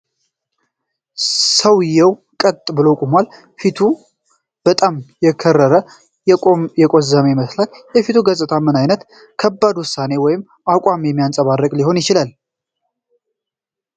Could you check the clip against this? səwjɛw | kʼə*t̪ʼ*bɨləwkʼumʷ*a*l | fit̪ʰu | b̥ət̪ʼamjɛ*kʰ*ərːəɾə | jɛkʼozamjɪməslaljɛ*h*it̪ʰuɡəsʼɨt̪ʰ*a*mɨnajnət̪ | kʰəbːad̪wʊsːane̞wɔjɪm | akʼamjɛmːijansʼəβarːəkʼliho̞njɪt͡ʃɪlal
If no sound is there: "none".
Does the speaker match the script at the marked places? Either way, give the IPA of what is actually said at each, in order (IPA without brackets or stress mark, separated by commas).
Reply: t̪ʼ, a, kʰ, f, a